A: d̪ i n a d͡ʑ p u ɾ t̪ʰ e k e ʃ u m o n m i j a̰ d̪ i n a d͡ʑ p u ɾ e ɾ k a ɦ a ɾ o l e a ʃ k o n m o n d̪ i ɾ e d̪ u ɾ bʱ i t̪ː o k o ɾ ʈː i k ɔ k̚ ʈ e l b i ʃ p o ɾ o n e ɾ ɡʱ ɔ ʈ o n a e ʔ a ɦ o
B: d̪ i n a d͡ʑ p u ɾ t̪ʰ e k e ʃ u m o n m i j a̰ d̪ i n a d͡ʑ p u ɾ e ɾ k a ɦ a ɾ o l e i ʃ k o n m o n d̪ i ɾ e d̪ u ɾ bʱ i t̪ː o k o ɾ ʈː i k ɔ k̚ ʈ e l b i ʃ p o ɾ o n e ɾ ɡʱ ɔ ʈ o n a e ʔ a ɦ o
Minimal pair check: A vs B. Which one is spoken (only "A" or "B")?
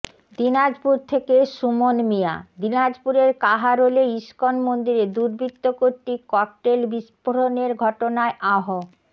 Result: B